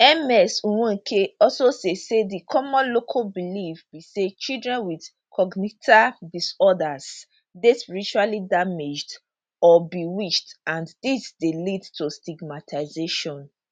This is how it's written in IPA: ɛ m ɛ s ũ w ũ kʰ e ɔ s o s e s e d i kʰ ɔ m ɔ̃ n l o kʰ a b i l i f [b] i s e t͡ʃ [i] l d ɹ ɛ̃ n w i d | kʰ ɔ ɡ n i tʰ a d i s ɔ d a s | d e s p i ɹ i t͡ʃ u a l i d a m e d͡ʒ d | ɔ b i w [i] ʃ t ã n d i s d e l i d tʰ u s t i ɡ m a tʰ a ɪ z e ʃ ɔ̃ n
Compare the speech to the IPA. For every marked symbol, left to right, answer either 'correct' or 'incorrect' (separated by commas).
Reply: correct, correct, correct